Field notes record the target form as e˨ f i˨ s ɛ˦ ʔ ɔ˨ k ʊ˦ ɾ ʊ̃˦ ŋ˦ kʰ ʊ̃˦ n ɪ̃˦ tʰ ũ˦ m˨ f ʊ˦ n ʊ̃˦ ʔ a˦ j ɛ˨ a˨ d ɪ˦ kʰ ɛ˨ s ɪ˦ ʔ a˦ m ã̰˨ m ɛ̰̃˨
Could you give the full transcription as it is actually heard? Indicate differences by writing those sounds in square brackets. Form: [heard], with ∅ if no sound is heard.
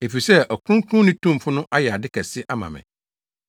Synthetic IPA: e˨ f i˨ s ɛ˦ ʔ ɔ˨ k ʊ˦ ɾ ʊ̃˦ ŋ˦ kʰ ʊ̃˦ n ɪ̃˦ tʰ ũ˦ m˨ f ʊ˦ n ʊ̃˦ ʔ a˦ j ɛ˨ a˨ d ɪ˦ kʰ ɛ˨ s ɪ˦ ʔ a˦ m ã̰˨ m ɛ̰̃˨